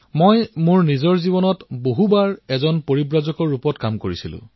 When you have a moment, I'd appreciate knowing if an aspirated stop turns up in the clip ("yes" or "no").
no